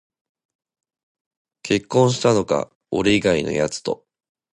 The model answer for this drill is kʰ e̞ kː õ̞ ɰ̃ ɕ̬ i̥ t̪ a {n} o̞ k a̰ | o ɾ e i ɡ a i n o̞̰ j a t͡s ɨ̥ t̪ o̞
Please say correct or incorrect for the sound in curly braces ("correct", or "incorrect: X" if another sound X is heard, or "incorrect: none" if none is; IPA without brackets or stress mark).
correct